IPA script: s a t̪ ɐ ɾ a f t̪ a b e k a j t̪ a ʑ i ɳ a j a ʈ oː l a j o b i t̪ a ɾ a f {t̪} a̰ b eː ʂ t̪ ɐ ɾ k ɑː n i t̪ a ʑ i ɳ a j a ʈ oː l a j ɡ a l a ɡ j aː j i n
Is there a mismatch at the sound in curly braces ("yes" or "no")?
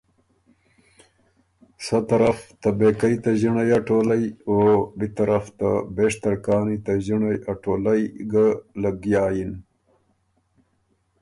no